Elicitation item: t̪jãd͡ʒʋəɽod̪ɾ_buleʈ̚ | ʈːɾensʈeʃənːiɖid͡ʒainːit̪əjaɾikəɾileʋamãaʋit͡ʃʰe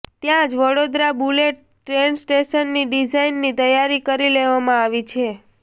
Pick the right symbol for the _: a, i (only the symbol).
a